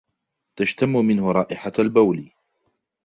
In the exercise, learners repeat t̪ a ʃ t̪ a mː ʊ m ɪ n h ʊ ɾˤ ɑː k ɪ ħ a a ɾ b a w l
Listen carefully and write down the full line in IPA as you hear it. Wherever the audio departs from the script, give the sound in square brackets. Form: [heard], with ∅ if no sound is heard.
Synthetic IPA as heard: t̪ a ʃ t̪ a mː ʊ m ɪ n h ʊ ɾˤ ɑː [ʔ] ɪ ħ a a [l] b a w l